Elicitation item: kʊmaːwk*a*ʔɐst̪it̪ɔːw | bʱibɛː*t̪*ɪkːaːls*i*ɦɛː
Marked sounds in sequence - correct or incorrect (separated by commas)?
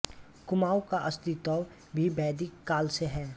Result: correct, incorrect, incorrect